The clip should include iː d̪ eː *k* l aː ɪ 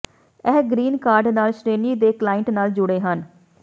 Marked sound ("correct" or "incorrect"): correct